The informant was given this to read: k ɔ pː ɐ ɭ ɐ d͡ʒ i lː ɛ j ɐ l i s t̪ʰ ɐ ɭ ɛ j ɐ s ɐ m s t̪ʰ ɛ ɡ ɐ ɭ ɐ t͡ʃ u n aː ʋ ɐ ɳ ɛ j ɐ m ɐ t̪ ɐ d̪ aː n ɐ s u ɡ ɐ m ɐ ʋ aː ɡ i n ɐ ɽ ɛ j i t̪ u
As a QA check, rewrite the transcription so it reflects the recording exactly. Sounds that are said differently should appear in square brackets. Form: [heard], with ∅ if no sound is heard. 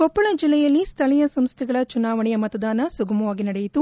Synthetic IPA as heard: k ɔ pː ɐ ɭ ɐ d͡ʒ i lː ɛ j ɐ [lː] i s t̪ʰ ɐ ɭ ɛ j ɐ s ɐ m s t̪ʰ ɛ ɡ ɐ ɭ ɐ t͡ʃ u n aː ʋ ɐ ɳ ɛ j ɐ m ɐ t̪ ɐ d̪ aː n ɐ s u ɡ ɐ m ɐ ʋ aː ɡ i n ɐ ɽ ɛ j i t̪ u

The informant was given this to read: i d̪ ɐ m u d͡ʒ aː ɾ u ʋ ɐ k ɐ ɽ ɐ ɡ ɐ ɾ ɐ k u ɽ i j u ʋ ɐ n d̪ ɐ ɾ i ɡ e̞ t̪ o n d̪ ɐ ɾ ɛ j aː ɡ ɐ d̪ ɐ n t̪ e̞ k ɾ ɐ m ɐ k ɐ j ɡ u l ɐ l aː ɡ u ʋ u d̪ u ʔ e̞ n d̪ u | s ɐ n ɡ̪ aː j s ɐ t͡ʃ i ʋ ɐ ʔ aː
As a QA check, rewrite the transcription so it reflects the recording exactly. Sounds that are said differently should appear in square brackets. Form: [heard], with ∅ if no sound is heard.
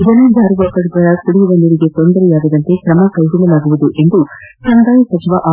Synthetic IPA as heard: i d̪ ɐ [n] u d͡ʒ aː ɾ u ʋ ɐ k ɐ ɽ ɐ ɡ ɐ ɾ ɐ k u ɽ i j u ʋ ɐ n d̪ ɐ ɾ i ɡ e̞ t̪ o n d̪ ɐ ɾ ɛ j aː ɡ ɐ d̪ ɐ n t̪ e̞ k ɾ ɐ m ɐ k ɐ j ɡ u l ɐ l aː ɡ u ʋ u d̪ u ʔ e̞ n d̪ u | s ɐ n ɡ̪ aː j s ɐ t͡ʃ i ʋ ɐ ʔ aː

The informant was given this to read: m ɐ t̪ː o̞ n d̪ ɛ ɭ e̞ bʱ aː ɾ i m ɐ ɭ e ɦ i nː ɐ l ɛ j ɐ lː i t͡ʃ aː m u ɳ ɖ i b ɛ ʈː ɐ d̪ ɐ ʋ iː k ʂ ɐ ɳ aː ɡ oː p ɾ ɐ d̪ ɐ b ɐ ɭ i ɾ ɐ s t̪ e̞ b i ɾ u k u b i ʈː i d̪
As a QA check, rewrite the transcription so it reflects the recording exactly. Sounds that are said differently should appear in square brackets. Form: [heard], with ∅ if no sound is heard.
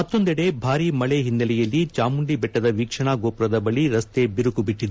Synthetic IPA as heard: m ɐ t̪ː o̞ n d̪ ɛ [ɽ] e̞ bʱ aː ɾ i m ɐ ɭ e ɦ i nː ɐ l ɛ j ɐ lː i t͡ʃ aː m u ɳ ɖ i b ɛ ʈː ɐ d̪ ɐ ʋ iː k ʂ ɐ ɳ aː ɡ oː p ɾ ɐ d̪ ɐ b ɐ ɭ i ɾ ɐ s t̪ e̞ b i ɾ u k u b i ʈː i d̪

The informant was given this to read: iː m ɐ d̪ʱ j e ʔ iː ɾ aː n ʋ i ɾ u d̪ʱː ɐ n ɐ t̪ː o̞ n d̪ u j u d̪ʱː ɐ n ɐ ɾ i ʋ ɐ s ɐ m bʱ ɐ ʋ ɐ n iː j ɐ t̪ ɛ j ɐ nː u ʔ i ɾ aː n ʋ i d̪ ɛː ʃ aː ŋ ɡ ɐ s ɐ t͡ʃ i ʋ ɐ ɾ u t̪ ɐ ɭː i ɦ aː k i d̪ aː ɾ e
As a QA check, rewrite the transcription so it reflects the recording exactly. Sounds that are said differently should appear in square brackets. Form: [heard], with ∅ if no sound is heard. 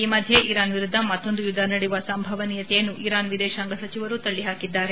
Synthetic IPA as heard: iː m ɐ d̪ʱ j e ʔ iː ɾ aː n ʋ i ɾ u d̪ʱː ɐ [m] ɐ t̪ː o̞ n d̪ u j u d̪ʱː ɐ n ɐ [ɽ] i ʋ ɐ s ɐ m bʱ ɐ ʋ ɐ n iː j ɐ t̪ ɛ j ɐ nː u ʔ i ɾ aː n ʋ i d̪ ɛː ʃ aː ŋ ɡ ɐ s ɐ t͡ʃ i ʋ ɐ ɾ u t̪ ɐ ɭː i ɦ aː k i [d̪ː] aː ɾ e

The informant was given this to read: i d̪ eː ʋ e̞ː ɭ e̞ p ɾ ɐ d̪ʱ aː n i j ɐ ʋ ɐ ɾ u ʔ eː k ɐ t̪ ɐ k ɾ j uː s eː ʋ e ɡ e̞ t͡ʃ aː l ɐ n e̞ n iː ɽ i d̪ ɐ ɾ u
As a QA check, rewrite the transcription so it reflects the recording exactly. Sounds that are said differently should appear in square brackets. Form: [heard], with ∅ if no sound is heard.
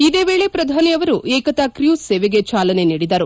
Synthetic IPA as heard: i d̪ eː ʋ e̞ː ɭ e̞ p ɾ ɐ d̪ʱ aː n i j ɐ ʋ ɐ ɾ u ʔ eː k ɐ t̪ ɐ k ɾ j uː s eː ʋ e ɡ e̞ t͡ʃ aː l ɐ n e̞ n iː ɽ i d̪ ɐ ɾ u

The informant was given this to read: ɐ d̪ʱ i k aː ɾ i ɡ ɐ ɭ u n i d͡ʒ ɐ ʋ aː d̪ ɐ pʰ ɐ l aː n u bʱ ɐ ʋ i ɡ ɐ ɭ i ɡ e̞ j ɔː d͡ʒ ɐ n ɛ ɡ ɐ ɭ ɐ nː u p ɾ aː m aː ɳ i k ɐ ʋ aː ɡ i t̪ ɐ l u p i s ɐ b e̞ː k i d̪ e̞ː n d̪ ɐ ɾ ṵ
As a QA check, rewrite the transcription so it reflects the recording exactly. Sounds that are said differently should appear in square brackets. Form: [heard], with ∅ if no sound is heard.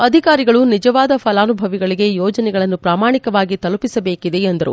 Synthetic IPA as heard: ɐ d̪ʱ i k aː ɾ i ɡ ɐ ɭ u n i d͡ʒ ɐ ʋ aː d̪ ɐ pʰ ɐ l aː n u bʱ ɐ ʋ i ɡ ɐ ɭ i ɡ e̞ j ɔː d͡ʒ ɐ n ɛ ɡ ɐ ɭ ɐ nː u p ɾ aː m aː ɳ i k ɐ ʋ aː ɡ i t̪ ɐ l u p i s ɐ b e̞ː k i d̪ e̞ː n d̪ ɐ ɾ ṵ

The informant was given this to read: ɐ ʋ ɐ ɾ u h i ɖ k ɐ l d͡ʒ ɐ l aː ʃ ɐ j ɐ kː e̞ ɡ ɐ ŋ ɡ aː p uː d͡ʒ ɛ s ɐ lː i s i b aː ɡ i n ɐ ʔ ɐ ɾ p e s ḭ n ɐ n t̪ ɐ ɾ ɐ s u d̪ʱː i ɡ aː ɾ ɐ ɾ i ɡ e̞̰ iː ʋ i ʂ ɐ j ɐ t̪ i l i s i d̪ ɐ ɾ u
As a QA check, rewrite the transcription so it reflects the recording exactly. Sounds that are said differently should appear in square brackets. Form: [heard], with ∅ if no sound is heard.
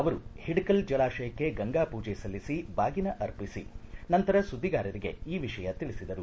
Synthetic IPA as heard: ɐ ʋ ɐ ɾ u h i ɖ k ɐ l d͡ʒ ɐ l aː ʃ ɐ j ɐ kː e̞ ɡ ɐ ŋ ɡ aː p uː d͡ʒ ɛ s ɐ lː i s i b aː ɡ i n ɐ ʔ ɐ ɾ p [i] s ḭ n ɐ n t̪ ɐ ɾ ɐ s u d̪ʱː i ɡ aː ɾ ɐ ɾ i ɡ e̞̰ iː ʋ i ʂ ɐ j ɐ t̪ i [ɭ] i s i d̪ ɐ ɾ u

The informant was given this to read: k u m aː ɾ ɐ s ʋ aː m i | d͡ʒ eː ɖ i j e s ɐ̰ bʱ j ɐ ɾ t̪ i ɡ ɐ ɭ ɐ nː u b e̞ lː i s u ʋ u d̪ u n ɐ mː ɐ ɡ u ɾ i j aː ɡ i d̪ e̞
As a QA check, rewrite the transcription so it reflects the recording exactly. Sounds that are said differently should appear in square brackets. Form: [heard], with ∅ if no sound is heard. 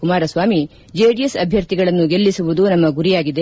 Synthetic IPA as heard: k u m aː ɾ ɐ s ʋ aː m i | d͡ʒ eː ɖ i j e s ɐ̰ bʱ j ɐ ɾ t̪ i ɡ ɐ ɭ ɐ nː u [ɡ] e̞ lː i s u ʋ u d̪ u n ɐ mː ɐ ɡ u ɾ i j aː ɡ i d̪ e̞

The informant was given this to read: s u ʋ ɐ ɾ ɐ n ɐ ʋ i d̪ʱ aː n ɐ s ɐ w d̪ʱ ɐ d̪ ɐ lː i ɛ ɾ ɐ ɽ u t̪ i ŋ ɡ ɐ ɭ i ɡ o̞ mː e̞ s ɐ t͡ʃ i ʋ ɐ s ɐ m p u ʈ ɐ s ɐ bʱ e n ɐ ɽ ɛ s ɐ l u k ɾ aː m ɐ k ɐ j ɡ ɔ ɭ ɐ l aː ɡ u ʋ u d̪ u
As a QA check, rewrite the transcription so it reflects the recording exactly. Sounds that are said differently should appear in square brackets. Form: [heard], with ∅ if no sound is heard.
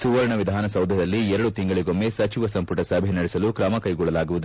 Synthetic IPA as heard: s u ʋ ɐ ɾ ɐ [ɳ] ɐ ʋ i d̪ʱ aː n ɐ s ɐ w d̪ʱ ɐ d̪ ɐ lː i ɛ ɾ ɐ ɽ u t̪ i ŋ ɡ ɐ ɭ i ɡ o̞ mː e̞ s ɐ t͡ʃ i ʋ ɐ s ɐ m p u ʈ ɐ s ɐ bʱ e n ɐ ɽ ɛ s ɐ l u k ɾ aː m ɐ k ɐ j ɡ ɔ ɭ ɐ l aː ɡ u ʋ u d̪ u

